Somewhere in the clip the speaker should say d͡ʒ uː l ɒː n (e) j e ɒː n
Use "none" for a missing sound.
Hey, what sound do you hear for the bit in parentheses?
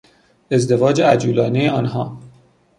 e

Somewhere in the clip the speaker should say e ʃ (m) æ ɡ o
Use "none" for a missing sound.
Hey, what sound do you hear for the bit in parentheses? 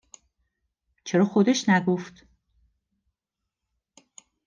n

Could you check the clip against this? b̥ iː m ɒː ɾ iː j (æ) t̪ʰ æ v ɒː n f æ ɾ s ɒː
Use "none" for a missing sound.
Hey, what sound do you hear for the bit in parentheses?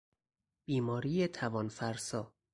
e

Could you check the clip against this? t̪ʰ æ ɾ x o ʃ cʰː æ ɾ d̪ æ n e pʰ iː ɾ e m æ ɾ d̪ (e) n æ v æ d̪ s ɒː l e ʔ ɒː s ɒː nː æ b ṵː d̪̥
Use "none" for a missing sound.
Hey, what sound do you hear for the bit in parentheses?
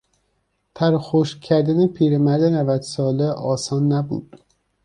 e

